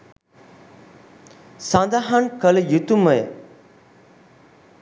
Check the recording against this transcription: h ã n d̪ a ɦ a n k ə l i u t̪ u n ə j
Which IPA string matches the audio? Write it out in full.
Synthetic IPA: s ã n d̪ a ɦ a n k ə l j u t̪ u m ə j